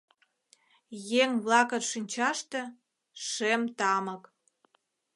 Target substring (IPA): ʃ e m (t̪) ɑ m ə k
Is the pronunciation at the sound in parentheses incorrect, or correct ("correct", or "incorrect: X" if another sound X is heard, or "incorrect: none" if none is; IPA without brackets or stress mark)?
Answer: correct